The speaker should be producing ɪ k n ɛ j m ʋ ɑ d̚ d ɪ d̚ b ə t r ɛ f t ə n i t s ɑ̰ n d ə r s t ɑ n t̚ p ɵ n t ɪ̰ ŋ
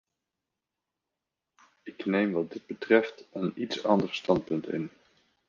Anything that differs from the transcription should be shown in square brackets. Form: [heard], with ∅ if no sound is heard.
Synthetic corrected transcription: ɪ k n [e] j m ʋ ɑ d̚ d ɪ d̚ b ə t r ɛ f t ə n i t s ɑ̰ n d ə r s t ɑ n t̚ p ɵ n t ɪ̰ [n]

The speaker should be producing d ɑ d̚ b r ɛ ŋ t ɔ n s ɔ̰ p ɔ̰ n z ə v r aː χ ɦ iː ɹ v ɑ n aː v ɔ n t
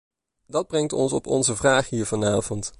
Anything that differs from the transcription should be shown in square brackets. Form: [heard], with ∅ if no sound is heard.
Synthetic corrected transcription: d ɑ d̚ b r ɛ ŋ t ɔ n s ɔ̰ p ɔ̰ n z ə v r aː χ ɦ iː ɹ v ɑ n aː v ɔ n t

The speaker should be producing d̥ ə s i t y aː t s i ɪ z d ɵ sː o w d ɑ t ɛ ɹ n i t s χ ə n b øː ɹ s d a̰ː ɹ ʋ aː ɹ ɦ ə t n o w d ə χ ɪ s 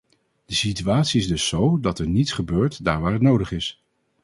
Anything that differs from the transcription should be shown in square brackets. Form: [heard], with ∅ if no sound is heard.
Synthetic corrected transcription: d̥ ə s i t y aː t s i ɪ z d ɵ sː o w d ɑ t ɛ ɹ n i t s χ ə [∅] b øː ɹ [t] d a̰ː ɹ ʋ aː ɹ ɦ ə t n o w d ə χ ɪ s

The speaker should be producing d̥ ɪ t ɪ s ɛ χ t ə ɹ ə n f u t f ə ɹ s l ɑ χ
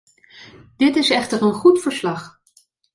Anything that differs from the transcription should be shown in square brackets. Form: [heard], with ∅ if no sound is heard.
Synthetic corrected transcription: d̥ ɪ t ɪ s ɛ χ t ə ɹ ə n [χ] u t f ə ɹ s l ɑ χ

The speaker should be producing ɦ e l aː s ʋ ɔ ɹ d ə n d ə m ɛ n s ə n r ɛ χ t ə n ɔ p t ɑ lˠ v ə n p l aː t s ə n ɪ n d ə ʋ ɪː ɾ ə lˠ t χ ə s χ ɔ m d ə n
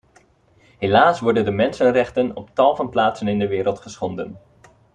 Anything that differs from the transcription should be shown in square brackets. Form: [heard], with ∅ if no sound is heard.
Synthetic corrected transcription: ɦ e l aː s ʋ ɔ ɹ d ə n d ə m ɛ n s ə n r ɛ χ t ə n ɔ p t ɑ lˠ v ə n p l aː t s ə n ɪ n d ə ʋ ɪː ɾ ə lˠ t χ ə s χ ɔ [n] d ə n

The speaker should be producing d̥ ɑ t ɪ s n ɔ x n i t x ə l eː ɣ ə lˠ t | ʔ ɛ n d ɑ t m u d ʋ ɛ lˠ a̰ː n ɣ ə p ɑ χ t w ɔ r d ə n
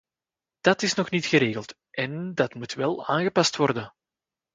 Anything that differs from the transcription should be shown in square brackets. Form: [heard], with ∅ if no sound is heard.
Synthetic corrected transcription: d̥ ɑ t ɪ s n ɔ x n i t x ə [ɾ] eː ɣ ə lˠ t | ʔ ɛ n d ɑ t m u [t] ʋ ɛ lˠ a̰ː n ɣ ə p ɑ [s] t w ɔ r d ə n

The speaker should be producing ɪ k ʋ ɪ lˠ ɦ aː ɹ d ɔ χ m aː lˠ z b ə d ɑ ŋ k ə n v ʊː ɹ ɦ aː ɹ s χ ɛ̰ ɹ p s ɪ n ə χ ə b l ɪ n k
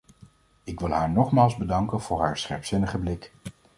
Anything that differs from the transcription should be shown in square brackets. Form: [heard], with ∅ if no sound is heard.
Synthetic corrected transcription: ɪ k ʋ ɪ lˠ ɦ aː ɹ [n] ɔ χ m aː lˠ z b ə d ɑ ŋ k ə n v ʊː ɹ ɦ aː ɹ s χ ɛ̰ ɹ p s ɪ n ə χ ə b l ɪ [∅] k

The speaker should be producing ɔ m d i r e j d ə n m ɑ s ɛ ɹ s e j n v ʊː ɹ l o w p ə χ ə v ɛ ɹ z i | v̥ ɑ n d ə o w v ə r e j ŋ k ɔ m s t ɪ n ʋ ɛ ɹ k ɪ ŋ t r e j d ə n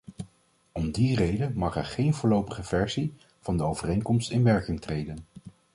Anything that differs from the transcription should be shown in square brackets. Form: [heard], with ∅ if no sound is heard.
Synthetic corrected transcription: ɔ m d i r e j d ə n m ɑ [χ] ɛ ɹ [χ] e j n v ʊː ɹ l o w p ə χ ə v ɛ ɹ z i | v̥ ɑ n d ə o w v ə r e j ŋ k ɔ m s t ɪ n ʋ ɛ ɹ k ɪ ŋ t r e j d ə n

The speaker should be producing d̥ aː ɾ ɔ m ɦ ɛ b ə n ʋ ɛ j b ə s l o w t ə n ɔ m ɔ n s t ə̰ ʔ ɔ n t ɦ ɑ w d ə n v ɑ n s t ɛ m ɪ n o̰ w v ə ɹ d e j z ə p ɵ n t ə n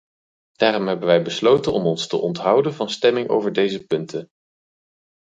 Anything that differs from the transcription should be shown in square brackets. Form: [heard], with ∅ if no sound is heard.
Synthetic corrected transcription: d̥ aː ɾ ɔ m ɦ ɛ b ə n ʋ ɛ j b ə s l o w t ə n ɔ m ɔ n s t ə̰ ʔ ɔ n t ɦ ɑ w d ə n v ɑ n s t ɛ m ɪ [ŋ] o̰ w v ə ɹ d e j z ə p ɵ n t ə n

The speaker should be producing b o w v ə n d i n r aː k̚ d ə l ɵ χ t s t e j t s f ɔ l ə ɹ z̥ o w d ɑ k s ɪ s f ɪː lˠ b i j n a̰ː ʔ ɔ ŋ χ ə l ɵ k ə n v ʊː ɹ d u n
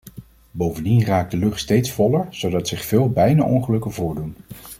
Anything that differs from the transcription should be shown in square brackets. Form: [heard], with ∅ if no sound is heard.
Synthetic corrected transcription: b o w v ə n d i n r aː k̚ d ə l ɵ χ t s t e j t s f ɔ l ə ɹ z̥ o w d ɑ [t] s ɪ [χ] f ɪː lˠ b [ɛ] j n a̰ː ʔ ɔ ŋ χ ə l ɵ k ə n v ʊː ɹ d u n

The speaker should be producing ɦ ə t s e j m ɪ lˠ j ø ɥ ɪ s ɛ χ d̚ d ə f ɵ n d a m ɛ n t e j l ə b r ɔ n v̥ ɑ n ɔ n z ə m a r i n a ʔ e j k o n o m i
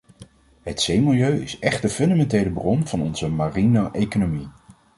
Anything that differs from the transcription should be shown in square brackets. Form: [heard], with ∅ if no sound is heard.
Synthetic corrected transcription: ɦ ə t s e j m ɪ lˠ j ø ɥ ɪ s ɛ χ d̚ d ə f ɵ n d a m ɛ n t e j l ə b r ɔ n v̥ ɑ n ɔ n z ə m a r i n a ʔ e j k o n o m i

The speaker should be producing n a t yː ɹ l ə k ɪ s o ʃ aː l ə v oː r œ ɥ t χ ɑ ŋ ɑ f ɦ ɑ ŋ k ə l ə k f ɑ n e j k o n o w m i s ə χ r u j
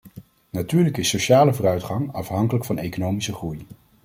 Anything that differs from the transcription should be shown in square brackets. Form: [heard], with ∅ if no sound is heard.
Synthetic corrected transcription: n a t yː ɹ l ə k ɪ s o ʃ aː l ə v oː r œ ɥ t χ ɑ ŋ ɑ f ɦ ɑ ŋ k ə l ə k f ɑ n e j k o n o w m i s ə χ r u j

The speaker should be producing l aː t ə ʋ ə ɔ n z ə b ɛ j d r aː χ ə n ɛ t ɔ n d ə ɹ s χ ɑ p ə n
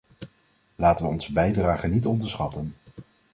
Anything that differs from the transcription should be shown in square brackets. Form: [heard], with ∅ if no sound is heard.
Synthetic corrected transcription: l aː t ə ʋ ə ɔ n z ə b ɛ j d r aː χ ə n [i] t ɔ n d ə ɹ s χ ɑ [t] ə n

